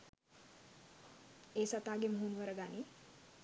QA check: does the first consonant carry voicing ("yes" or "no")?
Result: no